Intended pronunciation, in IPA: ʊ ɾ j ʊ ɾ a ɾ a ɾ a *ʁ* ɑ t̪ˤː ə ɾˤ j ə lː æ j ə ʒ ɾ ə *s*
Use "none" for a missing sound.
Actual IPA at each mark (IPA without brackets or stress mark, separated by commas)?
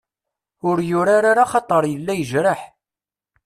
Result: χ, ħ